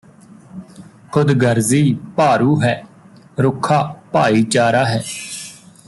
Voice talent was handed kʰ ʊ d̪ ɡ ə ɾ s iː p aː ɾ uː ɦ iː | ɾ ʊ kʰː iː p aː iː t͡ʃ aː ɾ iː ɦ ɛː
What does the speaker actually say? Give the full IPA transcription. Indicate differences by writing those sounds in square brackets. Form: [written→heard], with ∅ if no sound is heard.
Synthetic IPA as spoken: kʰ ʊ d̪ ɡ ə ɾ [s→z] iː p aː ɾ uː ɦ [iː→ɛː] | ɾ ʊ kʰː [iː→aː] p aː iː t͡ʃ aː ɾ [iː→aː] ɦ ɛː